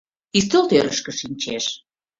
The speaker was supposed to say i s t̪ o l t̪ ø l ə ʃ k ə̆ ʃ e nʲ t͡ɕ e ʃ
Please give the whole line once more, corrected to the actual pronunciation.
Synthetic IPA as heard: i s t̪ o l t̪ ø ɾ ə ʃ k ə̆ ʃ i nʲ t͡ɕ e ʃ

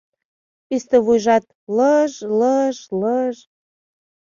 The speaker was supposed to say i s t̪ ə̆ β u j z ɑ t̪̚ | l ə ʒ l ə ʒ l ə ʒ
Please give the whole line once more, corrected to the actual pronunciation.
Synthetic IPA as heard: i s t̪ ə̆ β u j ʒ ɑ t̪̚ | l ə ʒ l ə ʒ l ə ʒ

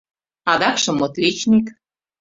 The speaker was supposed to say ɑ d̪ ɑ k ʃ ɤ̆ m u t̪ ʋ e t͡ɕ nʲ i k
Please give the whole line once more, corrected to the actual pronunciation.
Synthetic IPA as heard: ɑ d̪ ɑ k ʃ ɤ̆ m o t̪ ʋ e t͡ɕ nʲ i k

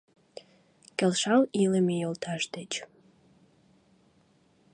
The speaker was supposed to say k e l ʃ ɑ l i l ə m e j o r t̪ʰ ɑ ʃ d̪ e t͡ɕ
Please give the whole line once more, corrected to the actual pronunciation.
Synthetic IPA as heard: k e l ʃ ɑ l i l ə m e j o l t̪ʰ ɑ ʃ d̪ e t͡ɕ

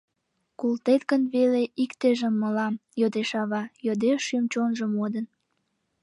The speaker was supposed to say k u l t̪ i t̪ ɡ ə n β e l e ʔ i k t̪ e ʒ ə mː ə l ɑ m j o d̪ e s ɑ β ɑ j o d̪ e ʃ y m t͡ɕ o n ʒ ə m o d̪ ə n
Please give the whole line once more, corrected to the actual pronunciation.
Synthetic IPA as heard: k u l t̪ e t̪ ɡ ə n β e l e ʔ i k t̪ e ʒ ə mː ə l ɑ m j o d̪ e ʃ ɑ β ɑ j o d̪ e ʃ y m t͡ɕ o n ʒ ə m o d̪ ə n

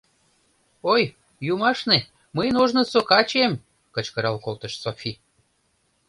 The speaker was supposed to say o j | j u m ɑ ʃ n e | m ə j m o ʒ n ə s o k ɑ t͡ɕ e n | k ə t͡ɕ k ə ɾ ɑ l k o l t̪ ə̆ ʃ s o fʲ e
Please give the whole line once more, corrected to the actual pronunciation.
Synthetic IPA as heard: o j | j u m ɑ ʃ n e | m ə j n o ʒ n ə s o k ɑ t͡ɕ e m | k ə t͡ɕ k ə ɾ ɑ l k o l t̪ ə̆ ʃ s o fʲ i

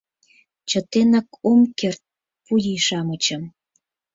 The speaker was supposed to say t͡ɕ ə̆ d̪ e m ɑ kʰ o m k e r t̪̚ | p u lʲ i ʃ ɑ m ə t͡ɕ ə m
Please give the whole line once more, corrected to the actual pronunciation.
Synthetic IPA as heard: t͡ɕ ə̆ t̪ e n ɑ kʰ o m k e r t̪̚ | p u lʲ i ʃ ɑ m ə t͡ɕ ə m

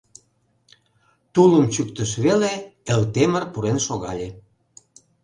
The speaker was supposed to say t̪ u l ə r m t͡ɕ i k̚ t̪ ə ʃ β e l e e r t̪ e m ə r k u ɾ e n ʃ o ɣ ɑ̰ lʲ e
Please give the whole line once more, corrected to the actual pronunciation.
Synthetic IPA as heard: t̪ u l ə m t͡ɕ y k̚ t̪ ə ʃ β e l e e l t̪ e m ə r p u ɾ e n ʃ o ɣ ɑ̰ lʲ e

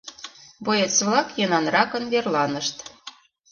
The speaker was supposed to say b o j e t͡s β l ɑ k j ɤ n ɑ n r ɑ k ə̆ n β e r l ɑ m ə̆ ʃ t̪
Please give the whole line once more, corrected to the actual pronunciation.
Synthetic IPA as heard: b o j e t͡s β l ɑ k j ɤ n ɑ n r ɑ k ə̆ n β e r l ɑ n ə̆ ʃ t̪

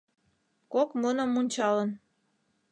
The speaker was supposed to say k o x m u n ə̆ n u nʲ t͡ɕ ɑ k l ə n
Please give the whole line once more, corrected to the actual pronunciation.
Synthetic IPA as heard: k o k m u n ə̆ m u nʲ t͡ɕ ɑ l ə n

